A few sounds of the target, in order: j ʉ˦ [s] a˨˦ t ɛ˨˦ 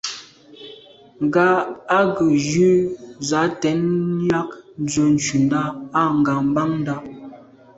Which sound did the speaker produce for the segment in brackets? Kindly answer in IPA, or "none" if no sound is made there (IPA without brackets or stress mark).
z